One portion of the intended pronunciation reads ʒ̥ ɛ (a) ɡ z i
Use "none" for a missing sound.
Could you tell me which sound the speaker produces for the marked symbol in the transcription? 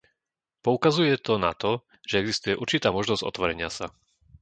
ɛ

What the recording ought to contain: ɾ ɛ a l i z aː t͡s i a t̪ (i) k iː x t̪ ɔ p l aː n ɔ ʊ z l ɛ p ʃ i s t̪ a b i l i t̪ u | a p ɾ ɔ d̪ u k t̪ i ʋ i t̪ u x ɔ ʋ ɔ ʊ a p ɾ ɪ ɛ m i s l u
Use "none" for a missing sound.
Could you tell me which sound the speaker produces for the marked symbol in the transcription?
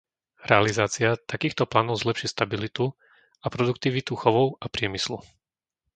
a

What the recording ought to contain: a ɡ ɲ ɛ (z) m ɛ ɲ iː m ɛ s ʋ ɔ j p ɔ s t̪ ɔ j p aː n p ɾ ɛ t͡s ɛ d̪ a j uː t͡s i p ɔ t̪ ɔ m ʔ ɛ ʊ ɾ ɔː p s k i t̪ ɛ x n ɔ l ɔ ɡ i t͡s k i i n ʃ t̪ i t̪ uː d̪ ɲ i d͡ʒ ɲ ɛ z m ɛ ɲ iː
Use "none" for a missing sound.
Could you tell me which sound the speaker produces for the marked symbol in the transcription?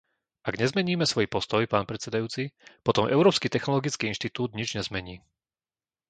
z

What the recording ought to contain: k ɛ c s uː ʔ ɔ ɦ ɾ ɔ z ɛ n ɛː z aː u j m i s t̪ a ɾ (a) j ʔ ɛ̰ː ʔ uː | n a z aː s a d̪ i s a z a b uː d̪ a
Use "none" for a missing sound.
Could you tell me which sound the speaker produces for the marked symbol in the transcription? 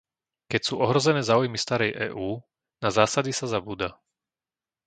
ɛ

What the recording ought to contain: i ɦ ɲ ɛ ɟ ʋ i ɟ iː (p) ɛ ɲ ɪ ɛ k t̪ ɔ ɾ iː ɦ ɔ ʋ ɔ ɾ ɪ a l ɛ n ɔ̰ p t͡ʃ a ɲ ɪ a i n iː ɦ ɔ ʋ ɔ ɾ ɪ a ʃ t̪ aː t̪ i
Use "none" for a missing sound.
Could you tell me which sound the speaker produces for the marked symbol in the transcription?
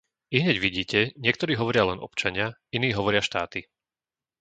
c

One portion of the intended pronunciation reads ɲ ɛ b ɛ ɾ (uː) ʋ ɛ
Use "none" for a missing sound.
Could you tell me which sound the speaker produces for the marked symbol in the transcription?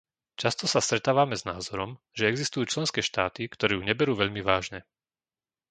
uː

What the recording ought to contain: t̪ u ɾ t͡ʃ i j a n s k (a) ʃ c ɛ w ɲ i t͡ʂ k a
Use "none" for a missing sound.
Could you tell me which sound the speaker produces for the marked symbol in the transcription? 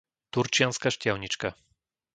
a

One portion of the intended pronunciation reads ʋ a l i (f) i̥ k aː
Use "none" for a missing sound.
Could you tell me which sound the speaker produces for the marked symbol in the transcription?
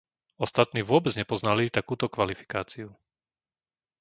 f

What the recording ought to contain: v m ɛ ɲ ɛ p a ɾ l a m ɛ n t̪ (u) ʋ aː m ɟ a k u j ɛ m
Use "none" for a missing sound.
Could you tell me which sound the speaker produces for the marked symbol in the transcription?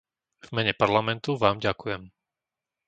u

